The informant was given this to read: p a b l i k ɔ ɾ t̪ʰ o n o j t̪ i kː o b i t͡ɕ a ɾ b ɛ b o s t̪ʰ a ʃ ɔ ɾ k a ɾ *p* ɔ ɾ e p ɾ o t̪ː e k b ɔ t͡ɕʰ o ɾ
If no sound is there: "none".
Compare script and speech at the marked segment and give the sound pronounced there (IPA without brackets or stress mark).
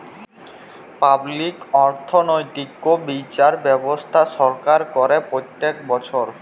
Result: k